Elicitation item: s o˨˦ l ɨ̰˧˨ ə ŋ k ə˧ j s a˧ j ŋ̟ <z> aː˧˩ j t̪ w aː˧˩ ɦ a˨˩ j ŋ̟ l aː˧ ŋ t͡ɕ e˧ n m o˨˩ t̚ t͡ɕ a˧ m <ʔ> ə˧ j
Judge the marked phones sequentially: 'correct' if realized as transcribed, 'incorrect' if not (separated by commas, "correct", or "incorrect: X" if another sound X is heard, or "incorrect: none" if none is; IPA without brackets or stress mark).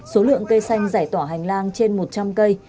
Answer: correct, incorrect: k